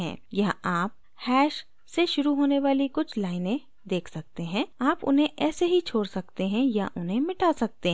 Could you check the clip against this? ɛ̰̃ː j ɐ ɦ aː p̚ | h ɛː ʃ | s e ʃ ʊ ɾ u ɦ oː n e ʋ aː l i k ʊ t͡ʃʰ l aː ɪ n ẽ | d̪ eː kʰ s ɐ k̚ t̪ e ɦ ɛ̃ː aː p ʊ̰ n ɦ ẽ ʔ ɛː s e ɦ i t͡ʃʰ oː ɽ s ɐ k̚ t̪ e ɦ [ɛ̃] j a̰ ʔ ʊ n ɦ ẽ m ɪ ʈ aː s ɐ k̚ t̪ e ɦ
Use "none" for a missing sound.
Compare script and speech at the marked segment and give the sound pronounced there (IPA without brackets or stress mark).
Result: ɛ̃